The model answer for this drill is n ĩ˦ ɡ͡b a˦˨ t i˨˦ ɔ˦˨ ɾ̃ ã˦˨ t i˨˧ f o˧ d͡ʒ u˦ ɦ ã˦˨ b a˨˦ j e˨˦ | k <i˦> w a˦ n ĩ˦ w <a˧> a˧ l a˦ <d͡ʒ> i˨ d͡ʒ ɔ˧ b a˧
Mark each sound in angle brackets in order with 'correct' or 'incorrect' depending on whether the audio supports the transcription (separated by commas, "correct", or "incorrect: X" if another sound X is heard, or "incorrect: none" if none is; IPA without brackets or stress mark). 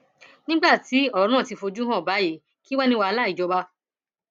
correct, correct, incorrect: none